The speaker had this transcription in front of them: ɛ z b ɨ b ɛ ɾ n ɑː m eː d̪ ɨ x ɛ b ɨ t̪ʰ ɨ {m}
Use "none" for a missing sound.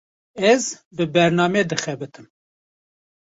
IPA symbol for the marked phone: m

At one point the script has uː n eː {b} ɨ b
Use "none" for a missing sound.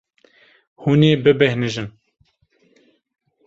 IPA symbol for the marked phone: b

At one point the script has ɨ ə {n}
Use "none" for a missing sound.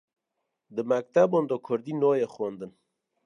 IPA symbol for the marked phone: n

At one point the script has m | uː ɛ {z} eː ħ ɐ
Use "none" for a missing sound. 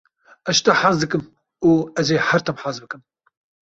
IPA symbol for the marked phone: z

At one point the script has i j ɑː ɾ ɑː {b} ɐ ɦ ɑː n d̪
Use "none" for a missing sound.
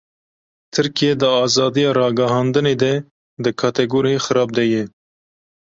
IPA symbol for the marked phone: ɡ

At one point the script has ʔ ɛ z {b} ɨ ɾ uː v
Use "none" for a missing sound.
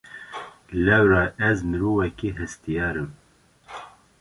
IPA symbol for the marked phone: m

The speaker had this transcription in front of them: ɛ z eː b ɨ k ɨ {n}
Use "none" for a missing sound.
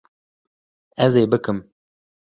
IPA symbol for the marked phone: m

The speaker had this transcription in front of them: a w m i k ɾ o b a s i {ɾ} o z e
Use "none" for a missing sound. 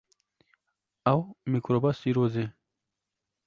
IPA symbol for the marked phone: ɾ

